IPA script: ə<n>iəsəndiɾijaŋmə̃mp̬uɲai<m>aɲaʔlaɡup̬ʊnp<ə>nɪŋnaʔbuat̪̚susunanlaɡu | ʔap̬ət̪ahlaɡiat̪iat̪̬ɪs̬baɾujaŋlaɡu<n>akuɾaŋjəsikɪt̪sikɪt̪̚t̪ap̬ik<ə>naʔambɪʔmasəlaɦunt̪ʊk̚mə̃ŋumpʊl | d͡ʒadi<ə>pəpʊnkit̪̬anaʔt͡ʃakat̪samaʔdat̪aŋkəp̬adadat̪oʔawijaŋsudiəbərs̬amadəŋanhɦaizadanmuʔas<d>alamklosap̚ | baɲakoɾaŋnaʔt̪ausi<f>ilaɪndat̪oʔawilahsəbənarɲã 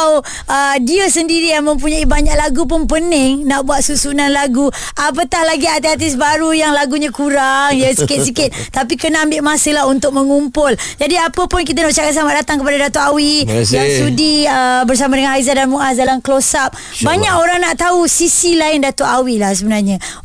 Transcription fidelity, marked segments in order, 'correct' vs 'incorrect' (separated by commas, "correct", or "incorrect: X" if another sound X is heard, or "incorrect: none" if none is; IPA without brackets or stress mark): incorrect: d, incorrect: b, correct, incorrect: ɲ, correct, incorrect: a, correct, incorrect: s